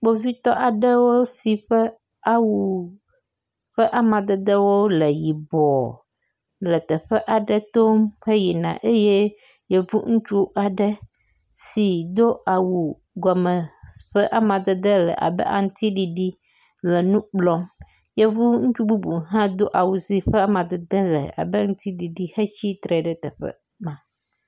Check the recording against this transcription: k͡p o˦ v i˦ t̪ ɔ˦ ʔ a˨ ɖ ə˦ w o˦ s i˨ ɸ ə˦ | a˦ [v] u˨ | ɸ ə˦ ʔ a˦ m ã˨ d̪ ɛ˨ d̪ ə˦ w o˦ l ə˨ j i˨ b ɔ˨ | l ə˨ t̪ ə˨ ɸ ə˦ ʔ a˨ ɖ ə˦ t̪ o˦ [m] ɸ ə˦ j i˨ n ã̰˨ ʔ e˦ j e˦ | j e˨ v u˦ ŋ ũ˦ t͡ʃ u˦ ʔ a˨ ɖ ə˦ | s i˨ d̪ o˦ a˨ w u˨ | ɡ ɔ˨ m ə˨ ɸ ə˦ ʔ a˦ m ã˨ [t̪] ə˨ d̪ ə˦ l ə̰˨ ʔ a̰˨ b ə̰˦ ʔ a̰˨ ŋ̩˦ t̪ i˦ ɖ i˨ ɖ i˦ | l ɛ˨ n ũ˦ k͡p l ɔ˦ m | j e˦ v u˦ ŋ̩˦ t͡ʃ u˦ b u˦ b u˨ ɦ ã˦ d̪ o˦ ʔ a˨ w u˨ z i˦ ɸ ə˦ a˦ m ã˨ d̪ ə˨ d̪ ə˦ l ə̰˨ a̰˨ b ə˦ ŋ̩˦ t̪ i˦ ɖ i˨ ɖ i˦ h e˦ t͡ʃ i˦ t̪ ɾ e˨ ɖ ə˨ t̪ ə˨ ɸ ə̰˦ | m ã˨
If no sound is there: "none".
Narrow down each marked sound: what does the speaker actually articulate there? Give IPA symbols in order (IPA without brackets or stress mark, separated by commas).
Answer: w, m, d̪